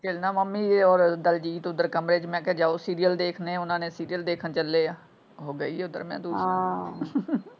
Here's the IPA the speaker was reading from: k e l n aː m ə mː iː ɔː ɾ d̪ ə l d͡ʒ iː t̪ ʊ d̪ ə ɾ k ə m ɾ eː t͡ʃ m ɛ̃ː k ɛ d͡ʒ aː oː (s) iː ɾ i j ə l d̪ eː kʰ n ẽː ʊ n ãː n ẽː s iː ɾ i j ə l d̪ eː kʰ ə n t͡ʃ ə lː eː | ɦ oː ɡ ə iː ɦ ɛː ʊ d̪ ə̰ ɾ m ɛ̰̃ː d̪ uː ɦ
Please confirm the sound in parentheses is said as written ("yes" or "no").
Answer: yes